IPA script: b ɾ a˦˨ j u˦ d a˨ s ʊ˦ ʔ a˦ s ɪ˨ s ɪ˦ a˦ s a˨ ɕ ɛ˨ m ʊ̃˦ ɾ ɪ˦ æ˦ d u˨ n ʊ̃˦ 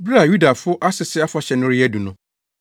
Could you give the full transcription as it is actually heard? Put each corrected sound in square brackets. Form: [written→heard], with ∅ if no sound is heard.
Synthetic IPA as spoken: b ɾ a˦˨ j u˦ d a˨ [s→f] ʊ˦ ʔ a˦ s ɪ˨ s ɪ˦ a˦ [s→f] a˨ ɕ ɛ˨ [m→n] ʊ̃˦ ɾ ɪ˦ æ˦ d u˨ n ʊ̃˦